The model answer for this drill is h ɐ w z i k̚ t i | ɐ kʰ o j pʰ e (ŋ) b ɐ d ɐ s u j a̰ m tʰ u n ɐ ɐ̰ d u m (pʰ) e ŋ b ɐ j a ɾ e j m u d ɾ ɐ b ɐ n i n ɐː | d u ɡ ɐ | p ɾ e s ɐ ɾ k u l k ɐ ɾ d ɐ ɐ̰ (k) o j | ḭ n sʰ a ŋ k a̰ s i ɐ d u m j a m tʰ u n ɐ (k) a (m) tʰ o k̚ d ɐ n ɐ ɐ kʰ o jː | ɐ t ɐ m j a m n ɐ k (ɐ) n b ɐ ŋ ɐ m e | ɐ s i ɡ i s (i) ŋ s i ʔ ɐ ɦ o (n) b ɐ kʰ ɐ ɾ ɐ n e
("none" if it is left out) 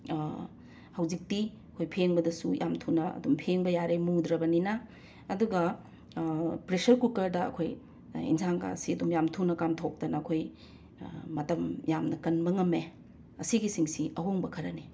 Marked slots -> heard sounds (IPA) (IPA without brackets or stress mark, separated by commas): ŋ, pʰ, kʰ, k, m, ɐ, i, ŋ